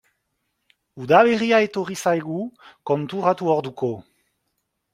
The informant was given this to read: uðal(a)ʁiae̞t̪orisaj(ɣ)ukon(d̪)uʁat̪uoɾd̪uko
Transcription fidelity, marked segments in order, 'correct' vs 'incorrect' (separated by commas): incorrect, correct, incorrect